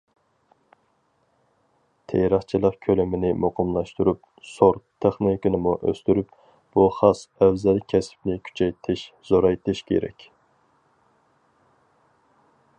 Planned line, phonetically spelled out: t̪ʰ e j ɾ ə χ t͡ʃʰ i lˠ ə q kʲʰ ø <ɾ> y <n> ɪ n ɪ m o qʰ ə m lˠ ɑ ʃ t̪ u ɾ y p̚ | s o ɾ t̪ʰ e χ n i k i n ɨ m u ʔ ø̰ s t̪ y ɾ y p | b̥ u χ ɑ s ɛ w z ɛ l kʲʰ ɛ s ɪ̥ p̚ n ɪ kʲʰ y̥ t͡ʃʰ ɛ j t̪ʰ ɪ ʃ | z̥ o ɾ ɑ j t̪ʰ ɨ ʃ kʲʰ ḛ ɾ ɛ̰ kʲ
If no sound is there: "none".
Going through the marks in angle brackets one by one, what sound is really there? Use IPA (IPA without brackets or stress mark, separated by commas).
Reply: l, m